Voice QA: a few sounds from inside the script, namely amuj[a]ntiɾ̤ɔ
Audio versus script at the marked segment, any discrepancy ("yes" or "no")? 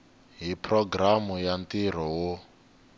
no